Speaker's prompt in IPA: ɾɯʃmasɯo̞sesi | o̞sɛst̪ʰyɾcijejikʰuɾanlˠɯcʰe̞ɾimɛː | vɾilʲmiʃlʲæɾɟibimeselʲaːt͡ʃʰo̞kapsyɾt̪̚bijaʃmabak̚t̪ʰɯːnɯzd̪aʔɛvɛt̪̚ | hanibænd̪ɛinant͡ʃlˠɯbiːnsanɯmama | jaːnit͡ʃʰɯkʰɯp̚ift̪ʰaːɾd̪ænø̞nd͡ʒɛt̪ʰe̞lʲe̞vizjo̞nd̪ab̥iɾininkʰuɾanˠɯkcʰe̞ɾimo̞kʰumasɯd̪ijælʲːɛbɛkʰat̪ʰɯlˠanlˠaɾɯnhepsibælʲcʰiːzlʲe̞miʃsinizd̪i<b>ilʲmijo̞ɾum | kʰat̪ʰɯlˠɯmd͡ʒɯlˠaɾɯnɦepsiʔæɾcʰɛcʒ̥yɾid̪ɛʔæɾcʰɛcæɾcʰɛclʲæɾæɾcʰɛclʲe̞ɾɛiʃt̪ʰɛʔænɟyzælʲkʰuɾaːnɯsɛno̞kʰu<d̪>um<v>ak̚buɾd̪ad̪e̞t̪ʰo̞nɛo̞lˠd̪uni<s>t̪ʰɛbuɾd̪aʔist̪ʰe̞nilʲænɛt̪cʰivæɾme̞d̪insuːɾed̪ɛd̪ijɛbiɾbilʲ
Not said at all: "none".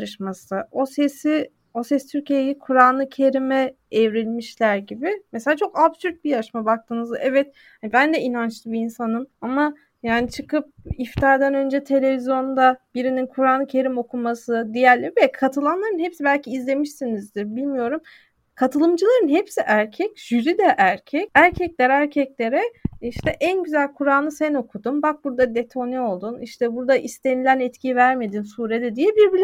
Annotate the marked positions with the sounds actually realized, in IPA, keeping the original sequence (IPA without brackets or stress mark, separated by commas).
b, d̪, b, ʃ